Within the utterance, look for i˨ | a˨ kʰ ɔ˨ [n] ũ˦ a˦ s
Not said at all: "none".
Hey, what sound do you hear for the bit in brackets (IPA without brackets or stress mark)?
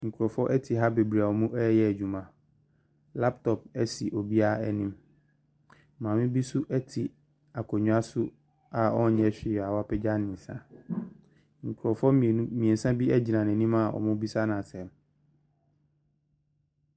ɲ